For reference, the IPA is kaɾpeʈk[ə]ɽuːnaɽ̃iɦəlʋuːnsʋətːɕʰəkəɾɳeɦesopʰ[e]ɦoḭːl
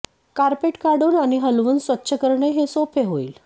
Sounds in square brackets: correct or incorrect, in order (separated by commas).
incorrect, correct